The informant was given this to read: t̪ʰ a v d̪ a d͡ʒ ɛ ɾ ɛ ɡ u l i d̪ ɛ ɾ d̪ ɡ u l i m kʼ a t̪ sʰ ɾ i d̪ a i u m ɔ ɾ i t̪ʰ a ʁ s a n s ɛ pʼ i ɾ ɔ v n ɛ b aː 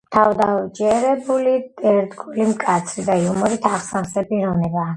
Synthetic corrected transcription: t̪ʰ a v d̪ a d͡ʒ ɛ ɾ ɛ b u l i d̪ ɛ ɾ d̪ ɡ u l i m kʼ a t̪ sʰ ɾ i d̪ a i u m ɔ ɾ i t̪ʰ a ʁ s a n s ɛ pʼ i ɾ ɔ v n ɛ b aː